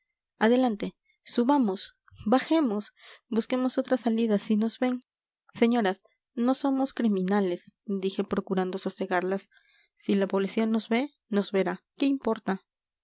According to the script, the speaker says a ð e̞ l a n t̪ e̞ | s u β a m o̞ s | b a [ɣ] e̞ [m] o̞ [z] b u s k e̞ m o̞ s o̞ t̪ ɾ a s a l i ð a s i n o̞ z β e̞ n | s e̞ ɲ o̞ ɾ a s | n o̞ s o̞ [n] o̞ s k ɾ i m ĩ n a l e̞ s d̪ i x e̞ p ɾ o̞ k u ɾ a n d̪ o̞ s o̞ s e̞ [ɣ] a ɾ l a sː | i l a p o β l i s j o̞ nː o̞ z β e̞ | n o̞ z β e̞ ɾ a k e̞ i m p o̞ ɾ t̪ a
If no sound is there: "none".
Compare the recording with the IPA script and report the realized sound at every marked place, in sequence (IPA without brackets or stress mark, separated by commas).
x, m, s, m, ɣ